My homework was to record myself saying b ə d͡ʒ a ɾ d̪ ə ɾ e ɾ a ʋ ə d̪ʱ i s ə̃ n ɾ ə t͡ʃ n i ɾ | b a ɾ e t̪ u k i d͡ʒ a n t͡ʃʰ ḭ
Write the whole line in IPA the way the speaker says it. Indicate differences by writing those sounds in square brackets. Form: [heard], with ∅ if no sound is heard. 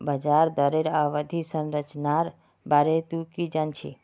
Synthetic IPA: b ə d͡ʒ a ɾ d̪ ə ɾ e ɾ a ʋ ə d̪ʱ i s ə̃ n ɾ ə t͡ʃ n [a] ɾ | b a ɾ e t̪ u k i d͡ʒ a n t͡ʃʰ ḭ

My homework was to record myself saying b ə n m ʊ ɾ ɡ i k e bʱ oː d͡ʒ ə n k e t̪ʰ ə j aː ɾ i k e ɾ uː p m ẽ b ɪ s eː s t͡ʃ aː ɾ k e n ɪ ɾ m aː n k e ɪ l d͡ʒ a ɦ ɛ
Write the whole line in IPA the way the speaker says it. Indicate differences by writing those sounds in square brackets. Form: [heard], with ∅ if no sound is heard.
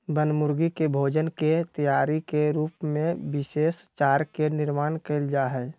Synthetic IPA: b ə n m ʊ ɾ ɡ i k e bʱ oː d͡ʒ ə n k e [t̪] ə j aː ɾ i k e ɾ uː p m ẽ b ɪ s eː s t͡ʃ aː ɾ k e n ɪ ɾ m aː n k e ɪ l d͡ʒ a ɦ ɛ

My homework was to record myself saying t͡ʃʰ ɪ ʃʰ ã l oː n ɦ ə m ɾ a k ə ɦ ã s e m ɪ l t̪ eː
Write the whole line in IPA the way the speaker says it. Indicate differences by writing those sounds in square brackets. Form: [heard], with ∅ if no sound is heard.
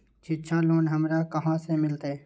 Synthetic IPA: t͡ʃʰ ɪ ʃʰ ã l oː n ɦ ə m ɾ a k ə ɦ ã s e m ɪ l t̪ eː

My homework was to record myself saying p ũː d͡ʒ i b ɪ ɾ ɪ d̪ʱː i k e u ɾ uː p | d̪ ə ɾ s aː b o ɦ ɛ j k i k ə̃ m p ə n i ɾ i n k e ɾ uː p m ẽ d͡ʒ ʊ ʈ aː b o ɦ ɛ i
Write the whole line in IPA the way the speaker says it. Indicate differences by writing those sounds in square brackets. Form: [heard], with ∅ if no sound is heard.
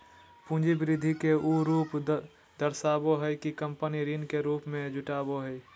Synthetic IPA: p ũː d͡ʒ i b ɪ ɾ ɪ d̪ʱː i k e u ɾ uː p | d̪ ə ɾ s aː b o ɦ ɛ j k i k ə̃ m p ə n i ɾ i n k e ɾ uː p m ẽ d͡ʒ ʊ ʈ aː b o ɦ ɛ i

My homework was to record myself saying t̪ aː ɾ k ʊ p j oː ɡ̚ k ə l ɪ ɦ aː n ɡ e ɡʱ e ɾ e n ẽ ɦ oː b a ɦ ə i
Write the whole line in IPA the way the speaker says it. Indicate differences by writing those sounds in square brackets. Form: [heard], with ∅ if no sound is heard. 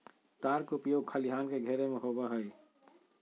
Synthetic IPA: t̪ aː ɾ k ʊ p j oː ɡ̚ [kʰ] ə l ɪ ɦ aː n [k] e ɡʱ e ɾ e [m] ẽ ɦ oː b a ɦ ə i

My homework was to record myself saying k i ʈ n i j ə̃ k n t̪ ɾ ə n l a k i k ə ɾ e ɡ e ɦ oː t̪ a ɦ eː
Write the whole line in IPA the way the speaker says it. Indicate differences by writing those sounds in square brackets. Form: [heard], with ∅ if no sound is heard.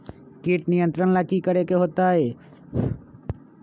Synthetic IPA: k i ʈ n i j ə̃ [∅] n t̪ ɾ ə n l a k i k ə ɾ e [k] e ɦ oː t̪ a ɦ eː

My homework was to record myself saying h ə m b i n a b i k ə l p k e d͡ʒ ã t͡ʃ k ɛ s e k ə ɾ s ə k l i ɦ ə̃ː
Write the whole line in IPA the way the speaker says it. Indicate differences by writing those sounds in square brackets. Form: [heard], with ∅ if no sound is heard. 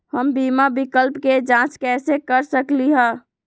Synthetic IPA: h ə m b i [m] a b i k ə l p k e d͡ʒ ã t͡ʃ k ɛ s e k ə ɾ s ə k l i ɦ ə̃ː

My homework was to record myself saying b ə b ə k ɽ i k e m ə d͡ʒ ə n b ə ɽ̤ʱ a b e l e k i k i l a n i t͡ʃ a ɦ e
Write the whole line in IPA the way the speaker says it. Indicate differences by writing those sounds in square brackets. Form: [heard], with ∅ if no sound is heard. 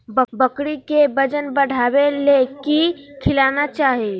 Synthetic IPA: b ə b ə k ɽ i k e [b] ə d͡ʒ ə n b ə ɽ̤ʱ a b e l e k i [kʰ] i l a n [a] t͡ʃ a ɦ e

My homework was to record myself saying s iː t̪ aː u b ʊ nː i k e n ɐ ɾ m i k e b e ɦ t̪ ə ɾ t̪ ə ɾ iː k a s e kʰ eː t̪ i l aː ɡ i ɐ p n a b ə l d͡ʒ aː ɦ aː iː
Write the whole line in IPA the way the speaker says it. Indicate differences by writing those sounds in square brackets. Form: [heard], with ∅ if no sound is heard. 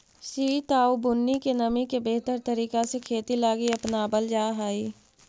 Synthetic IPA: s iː t̪ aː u b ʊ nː i k e n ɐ [∅] m i k e b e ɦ t̪ ə ɾ t̪ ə ɾ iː k a s e kʰ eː t̪ i l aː ɡ i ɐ p n a b ə l d͡ʒ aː ɦ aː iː

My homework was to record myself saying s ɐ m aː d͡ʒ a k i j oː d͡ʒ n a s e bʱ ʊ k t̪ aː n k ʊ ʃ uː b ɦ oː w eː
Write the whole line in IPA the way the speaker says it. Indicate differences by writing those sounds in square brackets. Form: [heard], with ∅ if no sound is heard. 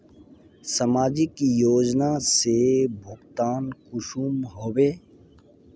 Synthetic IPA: s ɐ m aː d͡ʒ [i] k i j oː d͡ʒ n a s e bʱ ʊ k t̪ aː n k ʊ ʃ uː [m] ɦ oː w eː

